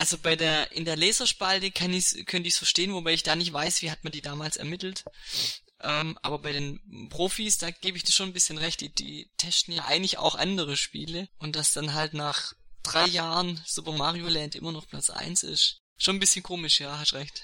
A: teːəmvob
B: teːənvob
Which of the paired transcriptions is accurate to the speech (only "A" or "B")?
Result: B